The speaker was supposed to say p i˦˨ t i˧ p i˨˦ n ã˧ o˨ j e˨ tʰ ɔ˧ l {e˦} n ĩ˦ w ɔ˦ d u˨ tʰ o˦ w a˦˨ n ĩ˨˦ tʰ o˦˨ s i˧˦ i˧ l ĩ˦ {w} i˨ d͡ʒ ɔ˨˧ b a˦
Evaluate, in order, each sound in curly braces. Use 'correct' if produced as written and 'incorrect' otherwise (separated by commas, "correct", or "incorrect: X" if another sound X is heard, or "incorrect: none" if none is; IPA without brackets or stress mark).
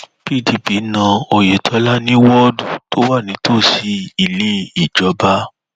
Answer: incorrect: a˦, incorrect: none